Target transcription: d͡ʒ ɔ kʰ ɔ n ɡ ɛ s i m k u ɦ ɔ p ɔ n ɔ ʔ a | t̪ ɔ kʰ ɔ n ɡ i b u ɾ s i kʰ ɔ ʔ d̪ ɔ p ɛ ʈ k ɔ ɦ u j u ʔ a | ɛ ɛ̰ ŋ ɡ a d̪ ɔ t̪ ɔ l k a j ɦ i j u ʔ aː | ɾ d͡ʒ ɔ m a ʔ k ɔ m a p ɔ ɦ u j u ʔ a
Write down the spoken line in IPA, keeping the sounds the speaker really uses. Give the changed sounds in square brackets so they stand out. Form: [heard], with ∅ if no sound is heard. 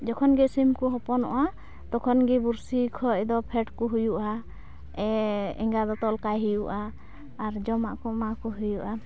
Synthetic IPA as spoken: d͡ʒ ɔ kʰ ɔ n ɡ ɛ s i m k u ɦ ɔ p ɔ n ɔ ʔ a | t̪ ɔ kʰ ɔ n ɡ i b u ɾ s i kʰ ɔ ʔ d̪ ɔ [pʰ] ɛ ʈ k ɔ ɦ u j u ʔ a | ɛ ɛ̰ ŋ ɡ a d̪ ɔ t̪ ɔ l k a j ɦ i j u ʔ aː | ɾ d͡ʒ ɔ m a ʔ k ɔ m a [k] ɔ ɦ u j u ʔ a